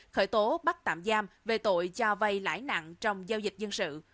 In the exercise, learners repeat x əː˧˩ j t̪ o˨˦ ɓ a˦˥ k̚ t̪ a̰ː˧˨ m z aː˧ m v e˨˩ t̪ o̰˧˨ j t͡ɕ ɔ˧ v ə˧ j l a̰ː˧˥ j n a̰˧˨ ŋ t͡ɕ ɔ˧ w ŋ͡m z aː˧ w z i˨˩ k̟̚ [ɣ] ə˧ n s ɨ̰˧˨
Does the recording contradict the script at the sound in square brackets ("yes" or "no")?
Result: yes